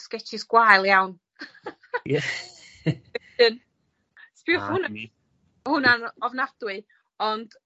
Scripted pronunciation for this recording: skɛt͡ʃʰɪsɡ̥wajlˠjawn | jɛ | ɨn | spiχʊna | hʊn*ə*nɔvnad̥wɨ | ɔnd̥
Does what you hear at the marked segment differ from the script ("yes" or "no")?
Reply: yes